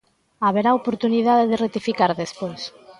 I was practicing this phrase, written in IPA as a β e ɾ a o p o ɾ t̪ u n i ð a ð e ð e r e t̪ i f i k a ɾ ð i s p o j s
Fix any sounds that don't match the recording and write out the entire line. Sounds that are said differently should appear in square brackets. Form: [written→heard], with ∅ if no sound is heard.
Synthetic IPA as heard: a β e ɾ a o p o ɾ t̪ u n i ð a ð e ð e r e t̪ i f i k a ɾ ð [i→e] s p o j s